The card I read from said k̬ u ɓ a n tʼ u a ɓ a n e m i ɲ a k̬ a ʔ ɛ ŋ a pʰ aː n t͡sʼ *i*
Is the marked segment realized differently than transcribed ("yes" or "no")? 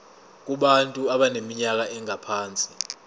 no